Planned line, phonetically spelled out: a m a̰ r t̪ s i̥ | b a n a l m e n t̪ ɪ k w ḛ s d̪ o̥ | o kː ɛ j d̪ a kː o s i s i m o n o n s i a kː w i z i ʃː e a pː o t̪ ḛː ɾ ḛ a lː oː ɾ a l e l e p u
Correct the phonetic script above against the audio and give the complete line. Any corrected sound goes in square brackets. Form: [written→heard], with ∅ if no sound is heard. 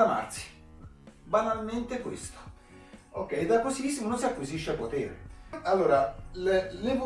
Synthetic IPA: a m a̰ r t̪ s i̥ | b a n a l m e n t̪ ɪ k w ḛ s [d̪→t̪] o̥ | o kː ɛ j d̪ a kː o s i s i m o n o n s i a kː w i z i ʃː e a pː o t̪ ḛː ɾ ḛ a lː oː ɾ a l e l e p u